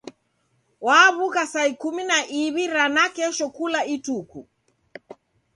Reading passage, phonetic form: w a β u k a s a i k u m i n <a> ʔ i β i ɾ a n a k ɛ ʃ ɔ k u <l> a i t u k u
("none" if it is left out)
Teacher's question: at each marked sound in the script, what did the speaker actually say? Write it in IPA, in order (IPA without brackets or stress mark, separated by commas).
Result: a, l